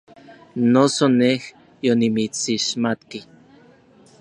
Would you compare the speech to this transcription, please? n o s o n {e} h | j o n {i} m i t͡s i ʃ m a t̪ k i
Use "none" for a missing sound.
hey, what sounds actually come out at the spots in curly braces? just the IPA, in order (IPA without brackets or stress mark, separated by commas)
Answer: e, i